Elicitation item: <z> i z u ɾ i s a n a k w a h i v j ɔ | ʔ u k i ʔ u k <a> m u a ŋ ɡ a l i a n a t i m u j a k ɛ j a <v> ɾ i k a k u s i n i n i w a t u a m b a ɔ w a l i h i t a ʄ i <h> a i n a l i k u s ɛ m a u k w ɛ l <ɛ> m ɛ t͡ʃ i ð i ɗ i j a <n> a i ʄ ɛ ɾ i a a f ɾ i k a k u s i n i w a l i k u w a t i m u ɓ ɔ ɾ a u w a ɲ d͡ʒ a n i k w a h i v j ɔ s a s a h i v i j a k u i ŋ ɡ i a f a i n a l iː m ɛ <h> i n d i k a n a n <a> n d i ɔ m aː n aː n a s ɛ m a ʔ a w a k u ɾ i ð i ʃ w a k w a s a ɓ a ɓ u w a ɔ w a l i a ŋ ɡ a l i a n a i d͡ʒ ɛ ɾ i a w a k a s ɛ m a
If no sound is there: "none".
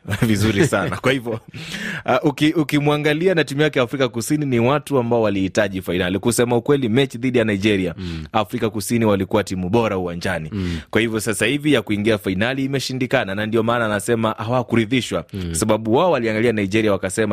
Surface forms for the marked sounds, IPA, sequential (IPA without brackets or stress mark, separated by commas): v, i, f, f, i, n, ʃ, a